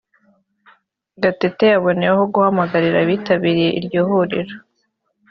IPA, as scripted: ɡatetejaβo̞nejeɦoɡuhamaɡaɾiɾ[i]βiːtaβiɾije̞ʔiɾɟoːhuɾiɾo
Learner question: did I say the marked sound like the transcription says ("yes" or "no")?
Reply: no